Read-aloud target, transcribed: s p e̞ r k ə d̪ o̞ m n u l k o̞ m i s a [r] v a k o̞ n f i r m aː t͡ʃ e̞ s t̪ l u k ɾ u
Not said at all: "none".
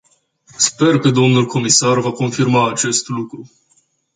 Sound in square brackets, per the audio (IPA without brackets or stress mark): r